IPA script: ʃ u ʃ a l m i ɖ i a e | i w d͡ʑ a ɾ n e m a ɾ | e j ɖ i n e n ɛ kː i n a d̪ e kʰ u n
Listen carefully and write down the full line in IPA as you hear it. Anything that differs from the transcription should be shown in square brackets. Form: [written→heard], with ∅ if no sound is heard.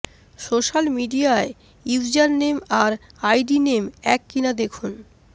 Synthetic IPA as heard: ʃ [u→o] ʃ a l m i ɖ i a e | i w d͡ʑ a ɾ n e m a ɾ | [e→a] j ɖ i n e [n→m] ɛ kː i n a d̪ e kʰ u n